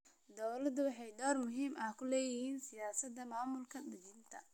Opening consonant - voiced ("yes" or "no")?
yes